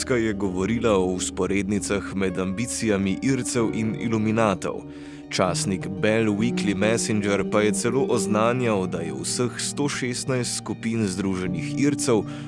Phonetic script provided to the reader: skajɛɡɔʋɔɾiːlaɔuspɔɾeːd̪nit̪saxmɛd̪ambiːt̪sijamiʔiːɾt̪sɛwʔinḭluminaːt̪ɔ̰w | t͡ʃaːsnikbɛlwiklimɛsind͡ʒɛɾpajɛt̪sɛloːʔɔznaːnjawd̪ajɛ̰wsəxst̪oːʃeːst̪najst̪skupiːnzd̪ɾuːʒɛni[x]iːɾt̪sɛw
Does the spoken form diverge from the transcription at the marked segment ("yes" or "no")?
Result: no